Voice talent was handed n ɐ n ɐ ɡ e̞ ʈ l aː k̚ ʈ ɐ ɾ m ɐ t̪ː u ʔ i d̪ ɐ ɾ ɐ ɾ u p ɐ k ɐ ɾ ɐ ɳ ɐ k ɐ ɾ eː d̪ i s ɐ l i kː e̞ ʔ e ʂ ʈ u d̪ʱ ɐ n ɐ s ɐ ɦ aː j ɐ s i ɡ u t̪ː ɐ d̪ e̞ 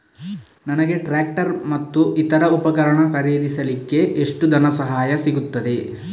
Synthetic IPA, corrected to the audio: n ɐ n ɐ ɡ e̞ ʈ ɾ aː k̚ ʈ ɐ ɾ m ɐ t̪ː u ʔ i t̪ ɐ ɾ ɐ u p ɐ k ɐ ɾ ɐ ɳ ɐ k ɐ ɾ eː d̪ i s ɐ l i kː e̞ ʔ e ʂ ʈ u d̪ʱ ɐ n ɐ s ɐ ɦ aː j ɐ s i ɡ u t̪ː ɐ d̪ e̞